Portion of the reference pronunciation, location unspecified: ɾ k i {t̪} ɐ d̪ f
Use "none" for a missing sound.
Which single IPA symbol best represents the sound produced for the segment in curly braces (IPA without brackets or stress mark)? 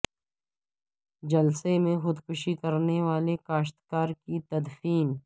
t̪